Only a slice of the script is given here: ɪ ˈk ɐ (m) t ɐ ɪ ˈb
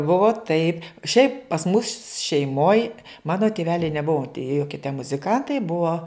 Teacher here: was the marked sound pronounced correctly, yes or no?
no